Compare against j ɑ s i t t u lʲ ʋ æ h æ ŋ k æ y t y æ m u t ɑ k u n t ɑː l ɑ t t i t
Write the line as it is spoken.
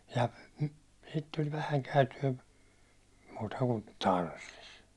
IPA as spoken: j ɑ s i t t u lʲ ʋ æ h æ ŋ k æ y t y æ m uː t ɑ k u n t ɑː r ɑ s t i s